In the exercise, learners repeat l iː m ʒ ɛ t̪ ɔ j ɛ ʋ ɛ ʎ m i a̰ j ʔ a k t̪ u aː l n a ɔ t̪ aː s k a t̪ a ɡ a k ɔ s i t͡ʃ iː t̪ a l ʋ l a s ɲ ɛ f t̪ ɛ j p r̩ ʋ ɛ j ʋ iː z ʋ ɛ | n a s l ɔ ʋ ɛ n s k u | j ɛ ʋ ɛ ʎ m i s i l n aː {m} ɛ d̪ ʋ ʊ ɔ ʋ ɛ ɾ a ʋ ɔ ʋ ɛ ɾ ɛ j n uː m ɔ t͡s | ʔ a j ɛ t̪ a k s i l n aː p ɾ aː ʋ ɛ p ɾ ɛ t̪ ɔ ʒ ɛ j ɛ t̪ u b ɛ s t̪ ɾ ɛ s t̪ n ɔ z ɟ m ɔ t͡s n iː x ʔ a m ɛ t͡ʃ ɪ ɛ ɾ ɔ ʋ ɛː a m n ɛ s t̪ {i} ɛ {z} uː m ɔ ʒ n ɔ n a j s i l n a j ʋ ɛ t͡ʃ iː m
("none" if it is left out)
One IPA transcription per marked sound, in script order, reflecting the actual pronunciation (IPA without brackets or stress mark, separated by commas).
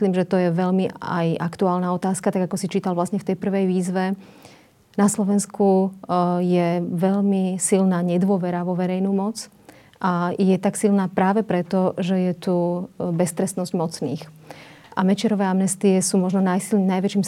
ɲ, i, s